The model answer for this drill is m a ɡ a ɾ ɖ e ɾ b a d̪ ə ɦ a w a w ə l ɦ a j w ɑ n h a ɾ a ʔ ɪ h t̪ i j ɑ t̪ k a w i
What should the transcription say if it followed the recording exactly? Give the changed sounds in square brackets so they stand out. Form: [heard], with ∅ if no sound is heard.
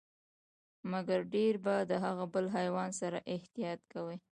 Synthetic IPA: m a ɡ a ɾ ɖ e ɾ b a d̪ ə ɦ a [ɣ] a [b] ə l ɦ a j w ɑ n [s] a ɾ a ʔ ɪ h t̪ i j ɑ t̪ k a w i